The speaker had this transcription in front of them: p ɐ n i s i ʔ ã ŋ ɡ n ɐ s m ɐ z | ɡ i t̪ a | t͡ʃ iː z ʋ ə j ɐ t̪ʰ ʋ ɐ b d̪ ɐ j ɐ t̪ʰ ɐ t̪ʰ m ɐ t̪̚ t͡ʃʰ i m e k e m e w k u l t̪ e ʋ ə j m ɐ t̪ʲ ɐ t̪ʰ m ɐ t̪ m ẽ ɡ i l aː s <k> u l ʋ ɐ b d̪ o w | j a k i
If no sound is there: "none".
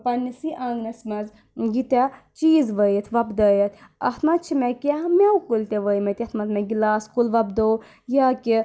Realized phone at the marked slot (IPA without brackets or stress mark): k